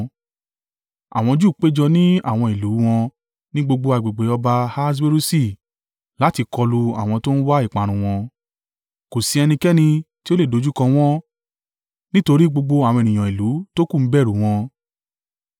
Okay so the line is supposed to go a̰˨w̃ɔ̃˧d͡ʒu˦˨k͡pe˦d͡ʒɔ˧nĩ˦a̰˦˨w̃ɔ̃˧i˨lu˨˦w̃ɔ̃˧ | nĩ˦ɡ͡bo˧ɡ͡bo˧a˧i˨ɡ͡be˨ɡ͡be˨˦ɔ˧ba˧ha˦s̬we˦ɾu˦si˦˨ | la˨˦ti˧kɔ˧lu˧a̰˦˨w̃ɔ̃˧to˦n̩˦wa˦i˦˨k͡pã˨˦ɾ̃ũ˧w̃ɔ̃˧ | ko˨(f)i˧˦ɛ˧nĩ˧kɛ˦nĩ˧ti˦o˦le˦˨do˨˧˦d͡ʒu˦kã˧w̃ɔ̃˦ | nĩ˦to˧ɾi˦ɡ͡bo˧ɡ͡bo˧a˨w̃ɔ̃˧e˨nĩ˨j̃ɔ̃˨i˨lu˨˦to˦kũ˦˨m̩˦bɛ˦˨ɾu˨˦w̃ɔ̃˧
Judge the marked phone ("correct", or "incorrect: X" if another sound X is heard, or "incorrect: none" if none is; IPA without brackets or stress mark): incorrect: s